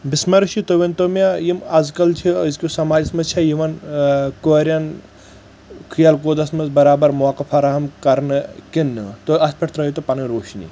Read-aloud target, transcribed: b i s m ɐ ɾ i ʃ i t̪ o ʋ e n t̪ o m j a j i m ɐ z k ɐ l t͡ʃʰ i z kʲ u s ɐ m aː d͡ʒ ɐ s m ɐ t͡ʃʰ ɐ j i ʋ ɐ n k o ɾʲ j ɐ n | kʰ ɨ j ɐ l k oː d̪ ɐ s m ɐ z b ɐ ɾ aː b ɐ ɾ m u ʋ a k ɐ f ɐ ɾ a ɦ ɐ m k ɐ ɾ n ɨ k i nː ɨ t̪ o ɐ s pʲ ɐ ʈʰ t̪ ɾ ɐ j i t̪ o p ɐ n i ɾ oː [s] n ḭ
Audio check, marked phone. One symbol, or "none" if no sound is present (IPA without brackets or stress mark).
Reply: ʃ